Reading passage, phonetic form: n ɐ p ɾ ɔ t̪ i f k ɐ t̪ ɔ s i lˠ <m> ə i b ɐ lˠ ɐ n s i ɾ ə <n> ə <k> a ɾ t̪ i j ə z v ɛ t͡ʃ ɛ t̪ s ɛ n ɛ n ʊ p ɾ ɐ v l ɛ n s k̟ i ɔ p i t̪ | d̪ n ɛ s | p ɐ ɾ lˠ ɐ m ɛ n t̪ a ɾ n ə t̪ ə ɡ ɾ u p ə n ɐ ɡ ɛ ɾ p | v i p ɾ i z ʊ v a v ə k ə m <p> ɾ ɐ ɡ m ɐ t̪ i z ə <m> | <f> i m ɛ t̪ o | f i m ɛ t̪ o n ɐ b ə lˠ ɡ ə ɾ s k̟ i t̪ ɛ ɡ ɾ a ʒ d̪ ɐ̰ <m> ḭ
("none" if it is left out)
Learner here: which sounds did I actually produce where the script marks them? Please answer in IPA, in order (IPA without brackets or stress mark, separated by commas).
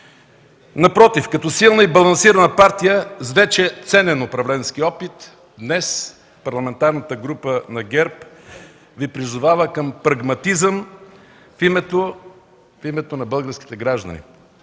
n, n, p, p, m, f, n